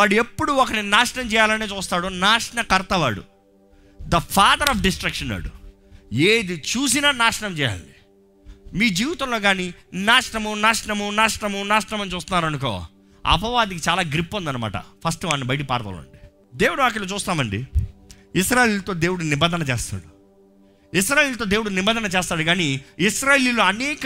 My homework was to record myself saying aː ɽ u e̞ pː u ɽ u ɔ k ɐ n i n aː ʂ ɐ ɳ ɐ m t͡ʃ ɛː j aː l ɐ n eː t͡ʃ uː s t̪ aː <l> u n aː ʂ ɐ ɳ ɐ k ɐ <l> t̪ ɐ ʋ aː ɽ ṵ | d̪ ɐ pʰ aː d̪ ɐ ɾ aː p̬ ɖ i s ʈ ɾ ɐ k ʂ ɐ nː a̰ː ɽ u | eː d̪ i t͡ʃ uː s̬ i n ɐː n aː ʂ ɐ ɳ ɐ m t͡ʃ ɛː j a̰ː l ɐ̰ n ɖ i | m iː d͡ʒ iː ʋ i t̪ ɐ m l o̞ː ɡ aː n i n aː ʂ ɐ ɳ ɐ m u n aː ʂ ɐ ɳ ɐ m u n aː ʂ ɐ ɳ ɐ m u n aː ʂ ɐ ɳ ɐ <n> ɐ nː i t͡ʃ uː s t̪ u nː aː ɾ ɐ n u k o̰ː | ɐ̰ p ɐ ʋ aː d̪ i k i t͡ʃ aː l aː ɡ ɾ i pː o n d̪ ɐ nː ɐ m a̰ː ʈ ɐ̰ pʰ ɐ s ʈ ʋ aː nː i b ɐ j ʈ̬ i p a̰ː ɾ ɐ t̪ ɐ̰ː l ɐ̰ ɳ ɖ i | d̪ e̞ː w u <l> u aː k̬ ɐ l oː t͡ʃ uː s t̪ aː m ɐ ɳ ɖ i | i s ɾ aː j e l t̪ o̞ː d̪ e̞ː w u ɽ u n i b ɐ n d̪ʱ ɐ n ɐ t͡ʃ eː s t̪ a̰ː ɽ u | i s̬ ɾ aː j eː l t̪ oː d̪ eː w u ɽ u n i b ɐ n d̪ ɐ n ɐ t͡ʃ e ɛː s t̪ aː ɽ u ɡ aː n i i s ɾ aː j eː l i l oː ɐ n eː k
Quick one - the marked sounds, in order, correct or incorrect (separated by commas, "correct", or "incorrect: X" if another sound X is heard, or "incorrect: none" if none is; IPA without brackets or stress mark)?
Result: incorrect: ɽ, incorrect: ɾ, incorrect: m, incorrect: ɽ